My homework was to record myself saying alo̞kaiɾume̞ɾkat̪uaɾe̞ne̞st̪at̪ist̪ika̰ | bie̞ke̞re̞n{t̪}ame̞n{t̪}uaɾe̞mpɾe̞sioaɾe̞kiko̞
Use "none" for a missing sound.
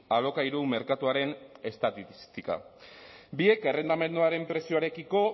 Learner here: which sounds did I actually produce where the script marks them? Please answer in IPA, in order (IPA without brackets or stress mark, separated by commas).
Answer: d̪, d̪